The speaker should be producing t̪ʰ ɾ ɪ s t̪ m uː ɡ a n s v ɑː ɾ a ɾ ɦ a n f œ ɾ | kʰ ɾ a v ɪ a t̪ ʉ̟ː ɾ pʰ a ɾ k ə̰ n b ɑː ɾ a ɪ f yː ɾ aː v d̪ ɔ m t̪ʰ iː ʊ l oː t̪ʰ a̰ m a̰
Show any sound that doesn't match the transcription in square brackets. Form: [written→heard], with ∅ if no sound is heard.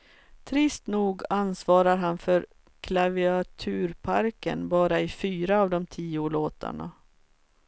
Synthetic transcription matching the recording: t̪ʰ ɾ ɪ s t̪ [m→n] uː ɡ a n s v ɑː ɾ a ɾ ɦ a n f œ ɾ | kʰ [ɾ→l] a v ɪ a [t̪→t̪ʰ] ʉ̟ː ɾ pʰ a ɾ k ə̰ n b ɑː ɾ a ɪ f yː ɾ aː v d̪ ɔ m t̪ʰ iː ʊ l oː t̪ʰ a̰ [m→ɳ] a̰